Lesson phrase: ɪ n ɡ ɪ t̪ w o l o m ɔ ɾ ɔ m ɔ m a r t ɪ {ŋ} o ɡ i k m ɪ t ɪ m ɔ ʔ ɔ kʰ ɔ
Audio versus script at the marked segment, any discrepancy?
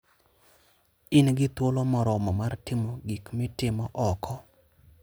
yes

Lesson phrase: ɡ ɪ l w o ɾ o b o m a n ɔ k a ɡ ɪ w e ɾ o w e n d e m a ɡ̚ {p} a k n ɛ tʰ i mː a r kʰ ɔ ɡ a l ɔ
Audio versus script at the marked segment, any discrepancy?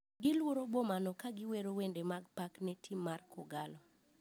no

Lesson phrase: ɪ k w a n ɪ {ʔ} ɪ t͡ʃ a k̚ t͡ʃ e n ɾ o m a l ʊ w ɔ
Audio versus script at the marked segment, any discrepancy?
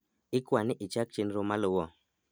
no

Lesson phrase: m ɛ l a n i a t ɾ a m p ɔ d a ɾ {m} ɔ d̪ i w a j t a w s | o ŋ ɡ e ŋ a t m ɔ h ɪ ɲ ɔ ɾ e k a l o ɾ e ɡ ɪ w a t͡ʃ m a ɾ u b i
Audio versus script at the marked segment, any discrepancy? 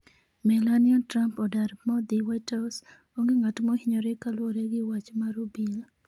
no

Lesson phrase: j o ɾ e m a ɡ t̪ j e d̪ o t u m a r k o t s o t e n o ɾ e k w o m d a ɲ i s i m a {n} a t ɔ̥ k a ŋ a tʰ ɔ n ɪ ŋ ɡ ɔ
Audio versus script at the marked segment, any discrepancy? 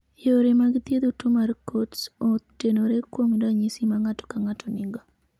yes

